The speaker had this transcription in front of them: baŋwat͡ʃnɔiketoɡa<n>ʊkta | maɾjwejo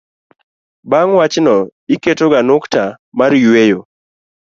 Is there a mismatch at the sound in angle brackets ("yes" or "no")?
no